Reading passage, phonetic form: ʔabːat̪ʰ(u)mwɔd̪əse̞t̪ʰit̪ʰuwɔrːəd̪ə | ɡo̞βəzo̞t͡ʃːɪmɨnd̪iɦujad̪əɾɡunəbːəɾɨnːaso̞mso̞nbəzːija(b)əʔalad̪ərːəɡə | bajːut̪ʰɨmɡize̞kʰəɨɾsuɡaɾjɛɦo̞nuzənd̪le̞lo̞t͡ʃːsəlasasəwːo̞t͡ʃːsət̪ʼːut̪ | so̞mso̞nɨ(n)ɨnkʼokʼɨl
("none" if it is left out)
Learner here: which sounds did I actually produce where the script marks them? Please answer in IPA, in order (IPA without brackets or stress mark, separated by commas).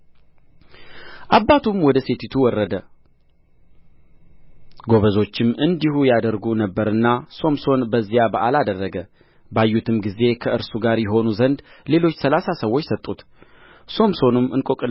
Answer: u, b, m